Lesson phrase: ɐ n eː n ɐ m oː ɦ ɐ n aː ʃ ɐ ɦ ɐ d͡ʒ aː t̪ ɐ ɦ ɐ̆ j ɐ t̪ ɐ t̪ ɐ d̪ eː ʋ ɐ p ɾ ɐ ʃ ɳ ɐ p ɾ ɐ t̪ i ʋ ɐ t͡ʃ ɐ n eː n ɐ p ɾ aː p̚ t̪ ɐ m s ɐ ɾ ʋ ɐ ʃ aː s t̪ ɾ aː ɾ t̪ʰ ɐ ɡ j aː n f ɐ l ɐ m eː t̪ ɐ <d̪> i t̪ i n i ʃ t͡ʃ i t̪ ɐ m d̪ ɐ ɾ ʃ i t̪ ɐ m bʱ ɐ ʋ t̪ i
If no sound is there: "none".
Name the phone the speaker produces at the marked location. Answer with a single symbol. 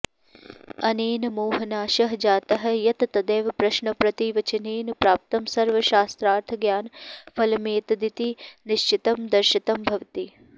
d̪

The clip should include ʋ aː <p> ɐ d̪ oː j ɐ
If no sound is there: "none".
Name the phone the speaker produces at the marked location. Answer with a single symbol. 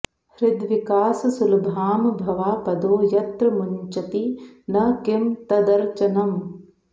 p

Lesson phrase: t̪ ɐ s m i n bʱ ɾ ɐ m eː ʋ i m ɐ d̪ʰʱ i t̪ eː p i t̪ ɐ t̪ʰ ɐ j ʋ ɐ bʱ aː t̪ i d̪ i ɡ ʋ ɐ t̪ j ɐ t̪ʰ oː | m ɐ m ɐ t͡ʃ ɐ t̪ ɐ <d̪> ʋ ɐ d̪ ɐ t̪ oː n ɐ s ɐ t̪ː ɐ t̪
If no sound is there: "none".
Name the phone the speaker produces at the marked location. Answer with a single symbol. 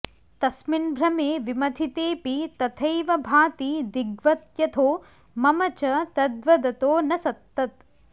d̪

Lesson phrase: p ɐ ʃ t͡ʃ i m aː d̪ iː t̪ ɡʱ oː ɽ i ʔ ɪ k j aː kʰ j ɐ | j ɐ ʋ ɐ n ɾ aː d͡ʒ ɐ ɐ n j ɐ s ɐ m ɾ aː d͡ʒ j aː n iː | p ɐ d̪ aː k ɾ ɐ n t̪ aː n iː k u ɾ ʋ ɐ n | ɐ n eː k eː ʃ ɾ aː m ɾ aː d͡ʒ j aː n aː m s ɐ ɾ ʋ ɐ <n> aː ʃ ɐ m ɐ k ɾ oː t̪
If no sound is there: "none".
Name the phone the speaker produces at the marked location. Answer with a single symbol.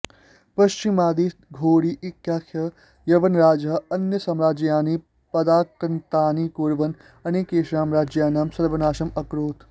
n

